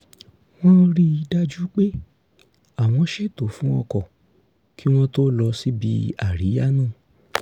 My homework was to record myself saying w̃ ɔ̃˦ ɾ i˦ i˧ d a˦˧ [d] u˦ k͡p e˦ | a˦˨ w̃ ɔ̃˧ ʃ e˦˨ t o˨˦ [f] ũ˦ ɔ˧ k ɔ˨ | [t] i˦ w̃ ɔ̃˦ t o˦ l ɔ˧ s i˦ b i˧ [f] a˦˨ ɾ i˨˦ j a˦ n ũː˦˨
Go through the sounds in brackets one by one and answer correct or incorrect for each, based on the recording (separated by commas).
incorrect, correct, incorrect, incorrect